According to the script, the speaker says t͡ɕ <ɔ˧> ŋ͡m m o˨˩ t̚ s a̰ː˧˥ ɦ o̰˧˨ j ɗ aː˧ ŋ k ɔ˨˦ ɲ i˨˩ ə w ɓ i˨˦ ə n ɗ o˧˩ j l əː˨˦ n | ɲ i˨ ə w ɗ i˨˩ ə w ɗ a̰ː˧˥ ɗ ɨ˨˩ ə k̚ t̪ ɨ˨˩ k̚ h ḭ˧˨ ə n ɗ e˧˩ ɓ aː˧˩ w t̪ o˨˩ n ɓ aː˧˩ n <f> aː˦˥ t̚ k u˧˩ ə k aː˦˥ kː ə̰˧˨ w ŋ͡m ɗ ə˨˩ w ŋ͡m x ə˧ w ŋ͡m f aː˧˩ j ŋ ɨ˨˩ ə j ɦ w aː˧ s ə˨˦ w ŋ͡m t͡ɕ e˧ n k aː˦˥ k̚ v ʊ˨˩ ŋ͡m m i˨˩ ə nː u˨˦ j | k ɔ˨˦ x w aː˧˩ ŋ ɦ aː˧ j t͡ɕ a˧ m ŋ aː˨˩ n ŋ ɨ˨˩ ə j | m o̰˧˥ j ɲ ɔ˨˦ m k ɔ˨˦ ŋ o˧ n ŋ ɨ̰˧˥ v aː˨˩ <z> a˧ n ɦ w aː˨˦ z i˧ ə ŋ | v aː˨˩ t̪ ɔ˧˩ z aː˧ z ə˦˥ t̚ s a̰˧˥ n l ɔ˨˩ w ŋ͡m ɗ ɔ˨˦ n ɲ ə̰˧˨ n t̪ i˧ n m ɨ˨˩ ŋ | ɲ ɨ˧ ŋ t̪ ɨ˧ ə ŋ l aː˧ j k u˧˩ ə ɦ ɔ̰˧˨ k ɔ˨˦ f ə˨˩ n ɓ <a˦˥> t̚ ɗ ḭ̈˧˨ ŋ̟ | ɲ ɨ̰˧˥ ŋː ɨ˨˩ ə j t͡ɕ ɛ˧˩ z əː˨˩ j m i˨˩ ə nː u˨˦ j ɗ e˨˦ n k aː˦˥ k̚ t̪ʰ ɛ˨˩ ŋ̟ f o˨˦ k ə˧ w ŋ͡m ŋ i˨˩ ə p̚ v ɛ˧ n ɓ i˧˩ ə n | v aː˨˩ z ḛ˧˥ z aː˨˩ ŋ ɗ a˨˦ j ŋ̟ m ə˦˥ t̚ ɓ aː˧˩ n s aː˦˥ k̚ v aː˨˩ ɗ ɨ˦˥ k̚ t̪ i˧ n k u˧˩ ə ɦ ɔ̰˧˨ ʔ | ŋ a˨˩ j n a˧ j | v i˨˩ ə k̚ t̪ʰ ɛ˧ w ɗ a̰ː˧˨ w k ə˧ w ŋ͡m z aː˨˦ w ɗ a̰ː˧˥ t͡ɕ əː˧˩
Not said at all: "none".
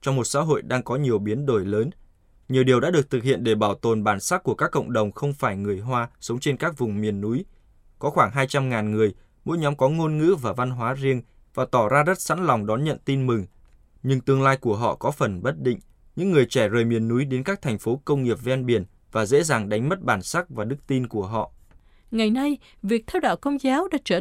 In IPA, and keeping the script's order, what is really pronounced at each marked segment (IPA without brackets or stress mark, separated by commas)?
ɔ˧, s, v, ə˦˥